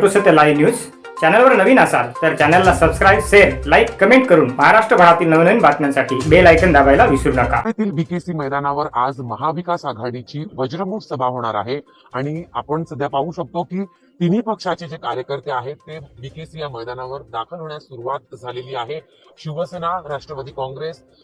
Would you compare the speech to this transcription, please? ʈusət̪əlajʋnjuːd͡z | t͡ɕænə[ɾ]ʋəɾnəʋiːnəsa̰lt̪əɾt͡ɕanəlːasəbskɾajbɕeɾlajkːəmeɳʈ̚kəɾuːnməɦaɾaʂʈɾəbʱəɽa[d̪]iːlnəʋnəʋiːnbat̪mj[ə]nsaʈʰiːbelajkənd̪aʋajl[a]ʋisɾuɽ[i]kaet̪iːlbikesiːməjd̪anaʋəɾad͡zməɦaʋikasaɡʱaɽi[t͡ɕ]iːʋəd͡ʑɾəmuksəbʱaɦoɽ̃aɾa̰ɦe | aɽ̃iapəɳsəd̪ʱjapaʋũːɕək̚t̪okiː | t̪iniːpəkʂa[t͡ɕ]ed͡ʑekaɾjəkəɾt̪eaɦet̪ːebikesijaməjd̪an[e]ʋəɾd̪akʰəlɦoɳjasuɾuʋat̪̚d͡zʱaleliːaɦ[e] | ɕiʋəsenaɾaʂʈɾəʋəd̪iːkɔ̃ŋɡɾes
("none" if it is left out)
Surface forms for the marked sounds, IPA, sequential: l, t̪, a, a, a, t͡ɕ, t͡ɕ, a, e

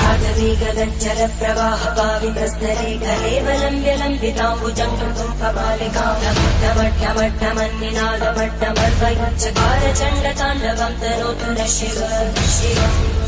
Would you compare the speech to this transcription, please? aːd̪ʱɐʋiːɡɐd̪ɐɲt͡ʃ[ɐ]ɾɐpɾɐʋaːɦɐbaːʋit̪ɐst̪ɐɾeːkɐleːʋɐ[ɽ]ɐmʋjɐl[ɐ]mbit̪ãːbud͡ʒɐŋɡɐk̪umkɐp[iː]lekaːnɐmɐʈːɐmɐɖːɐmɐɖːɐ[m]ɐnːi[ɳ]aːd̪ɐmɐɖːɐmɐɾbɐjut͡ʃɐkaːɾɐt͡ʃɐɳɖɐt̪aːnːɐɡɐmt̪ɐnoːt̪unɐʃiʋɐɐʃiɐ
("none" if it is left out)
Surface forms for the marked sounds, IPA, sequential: ɐ, l, ɐ, aː, m, n

